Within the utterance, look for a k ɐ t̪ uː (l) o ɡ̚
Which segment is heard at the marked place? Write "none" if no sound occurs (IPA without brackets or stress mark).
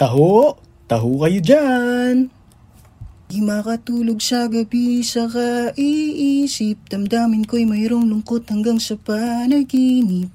l